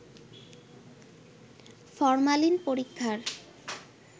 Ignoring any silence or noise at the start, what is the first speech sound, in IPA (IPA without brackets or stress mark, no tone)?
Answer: f